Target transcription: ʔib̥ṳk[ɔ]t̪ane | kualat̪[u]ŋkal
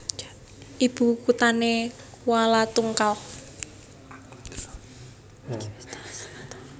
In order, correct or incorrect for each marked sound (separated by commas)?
incorrect, correct